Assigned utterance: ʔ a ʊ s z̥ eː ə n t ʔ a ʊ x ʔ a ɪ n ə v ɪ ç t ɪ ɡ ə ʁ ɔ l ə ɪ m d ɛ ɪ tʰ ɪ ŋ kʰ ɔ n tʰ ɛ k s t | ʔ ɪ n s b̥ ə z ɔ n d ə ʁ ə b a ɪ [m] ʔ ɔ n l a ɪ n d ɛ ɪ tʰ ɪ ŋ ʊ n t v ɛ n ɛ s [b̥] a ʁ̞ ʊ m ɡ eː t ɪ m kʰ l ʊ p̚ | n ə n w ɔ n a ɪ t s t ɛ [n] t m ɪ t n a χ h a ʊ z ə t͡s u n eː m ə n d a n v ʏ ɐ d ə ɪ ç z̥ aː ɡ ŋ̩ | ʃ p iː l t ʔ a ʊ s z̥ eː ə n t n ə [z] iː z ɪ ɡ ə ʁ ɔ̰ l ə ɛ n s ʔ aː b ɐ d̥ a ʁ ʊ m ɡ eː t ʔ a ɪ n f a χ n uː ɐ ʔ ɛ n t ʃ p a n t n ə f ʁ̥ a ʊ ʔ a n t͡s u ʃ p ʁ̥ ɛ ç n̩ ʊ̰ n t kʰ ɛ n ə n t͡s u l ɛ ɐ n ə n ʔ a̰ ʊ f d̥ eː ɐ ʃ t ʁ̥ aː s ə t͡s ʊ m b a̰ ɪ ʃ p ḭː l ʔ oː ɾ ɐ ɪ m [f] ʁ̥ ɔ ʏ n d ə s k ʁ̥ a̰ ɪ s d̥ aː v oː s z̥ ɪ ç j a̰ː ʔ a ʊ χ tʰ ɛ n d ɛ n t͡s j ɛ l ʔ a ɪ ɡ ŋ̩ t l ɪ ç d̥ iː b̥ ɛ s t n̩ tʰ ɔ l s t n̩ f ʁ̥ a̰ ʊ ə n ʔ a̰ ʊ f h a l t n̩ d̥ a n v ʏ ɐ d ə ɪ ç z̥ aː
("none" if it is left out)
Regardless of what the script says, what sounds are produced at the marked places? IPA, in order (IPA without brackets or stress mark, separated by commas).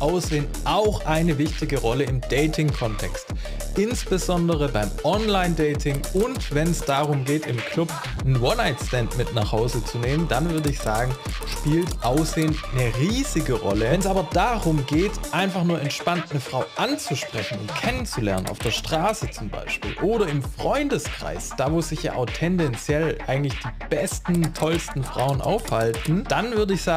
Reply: m, d̥, n, ʁ, f